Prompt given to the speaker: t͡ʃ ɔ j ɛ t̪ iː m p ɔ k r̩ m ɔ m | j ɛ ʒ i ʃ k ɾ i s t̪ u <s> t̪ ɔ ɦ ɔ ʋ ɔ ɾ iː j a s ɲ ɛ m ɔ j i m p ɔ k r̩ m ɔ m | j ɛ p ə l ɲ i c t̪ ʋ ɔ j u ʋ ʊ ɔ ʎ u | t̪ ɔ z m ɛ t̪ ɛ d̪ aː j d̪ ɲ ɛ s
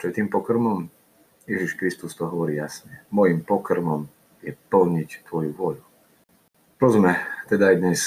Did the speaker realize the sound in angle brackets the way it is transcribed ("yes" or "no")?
yes